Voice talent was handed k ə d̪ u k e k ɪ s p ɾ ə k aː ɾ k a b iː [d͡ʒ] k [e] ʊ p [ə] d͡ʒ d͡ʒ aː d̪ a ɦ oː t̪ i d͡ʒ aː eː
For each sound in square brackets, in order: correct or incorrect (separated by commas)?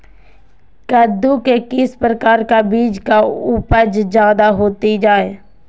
correct, incorrect, correct